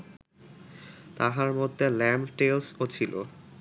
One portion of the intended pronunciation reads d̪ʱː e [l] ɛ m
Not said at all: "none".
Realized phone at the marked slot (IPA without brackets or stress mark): l